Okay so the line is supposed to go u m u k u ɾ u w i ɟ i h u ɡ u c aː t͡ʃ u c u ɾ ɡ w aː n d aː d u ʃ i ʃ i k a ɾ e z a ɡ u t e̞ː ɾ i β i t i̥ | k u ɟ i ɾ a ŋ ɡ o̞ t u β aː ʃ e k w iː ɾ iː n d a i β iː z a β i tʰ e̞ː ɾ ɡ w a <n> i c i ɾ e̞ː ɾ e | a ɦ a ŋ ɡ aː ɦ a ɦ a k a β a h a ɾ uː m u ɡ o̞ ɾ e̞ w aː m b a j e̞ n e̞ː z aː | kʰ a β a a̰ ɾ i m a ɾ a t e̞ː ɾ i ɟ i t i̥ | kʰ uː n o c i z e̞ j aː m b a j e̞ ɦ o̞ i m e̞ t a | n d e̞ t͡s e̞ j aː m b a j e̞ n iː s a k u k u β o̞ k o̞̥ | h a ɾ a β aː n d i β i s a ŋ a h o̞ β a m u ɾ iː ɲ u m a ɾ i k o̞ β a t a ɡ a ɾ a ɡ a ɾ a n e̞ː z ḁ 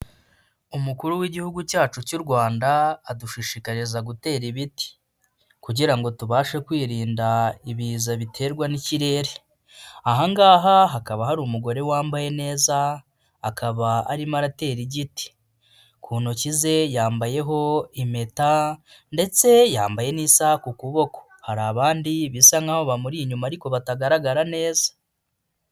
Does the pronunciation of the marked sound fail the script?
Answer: no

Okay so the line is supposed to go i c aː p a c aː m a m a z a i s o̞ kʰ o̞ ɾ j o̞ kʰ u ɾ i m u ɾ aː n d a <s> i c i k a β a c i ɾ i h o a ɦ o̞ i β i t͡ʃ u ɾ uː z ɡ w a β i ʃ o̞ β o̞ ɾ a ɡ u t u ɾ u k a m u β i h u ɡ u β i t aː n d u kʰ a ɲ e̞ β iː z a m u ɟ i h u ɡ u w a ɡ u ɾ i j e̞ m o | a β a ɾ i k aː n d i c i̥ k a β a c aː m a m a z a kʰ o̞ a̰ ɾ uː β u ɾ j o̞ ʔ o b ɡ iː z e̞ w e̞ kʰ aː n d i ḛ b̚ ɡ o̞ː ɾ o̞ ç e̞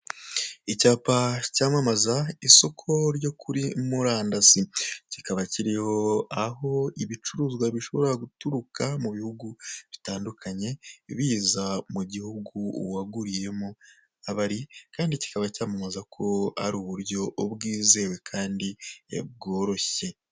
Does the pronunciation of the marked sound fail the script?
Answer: no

